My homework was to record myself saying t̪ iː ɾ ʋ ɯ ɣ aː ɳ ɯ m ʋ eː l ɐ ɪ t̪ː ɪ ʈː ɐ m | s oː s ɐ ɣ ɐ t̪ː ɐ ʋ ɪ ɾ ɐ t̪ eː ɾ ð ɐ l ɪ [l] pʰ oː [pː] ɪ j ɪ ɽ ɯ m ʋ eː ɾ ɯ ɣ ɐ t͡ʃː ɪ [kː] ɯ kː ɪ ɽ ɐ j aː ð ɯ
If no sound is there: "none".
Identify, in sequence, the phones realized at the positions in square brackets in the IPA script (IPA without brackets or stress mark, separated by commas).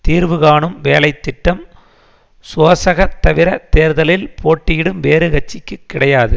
l, ʈː, kː